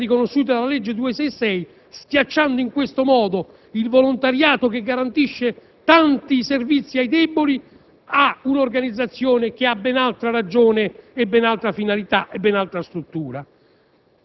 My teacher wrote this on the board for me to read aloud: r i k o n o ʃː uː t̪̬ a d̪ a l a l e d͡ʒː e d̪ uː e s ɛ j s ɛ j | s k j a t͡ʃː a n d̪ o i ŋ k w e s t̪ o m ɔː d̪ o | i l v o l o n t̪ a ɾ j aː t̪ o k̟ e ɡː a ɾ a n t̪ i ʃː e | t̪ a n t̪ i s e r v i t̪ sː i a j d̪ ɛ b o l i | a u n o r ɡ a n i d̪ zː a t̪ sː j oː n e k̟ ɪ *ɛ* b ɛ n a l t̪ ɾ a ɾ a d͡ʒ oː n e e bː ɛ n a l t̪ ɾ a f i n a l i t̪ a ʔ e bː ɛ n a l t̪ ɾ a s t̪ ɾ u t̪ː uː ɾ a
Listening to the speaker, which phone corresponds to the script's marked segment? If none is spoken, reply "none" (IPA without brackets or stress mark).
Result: a